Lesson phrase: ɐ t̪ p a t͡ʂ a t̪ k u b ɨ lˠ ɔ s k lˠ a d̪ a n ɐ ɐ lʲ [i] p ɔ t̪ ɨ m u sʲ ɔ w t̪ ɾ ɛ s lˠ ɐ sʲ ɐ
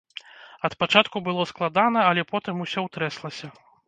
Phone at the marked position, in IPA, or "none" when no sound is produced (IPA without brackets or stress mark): ɛ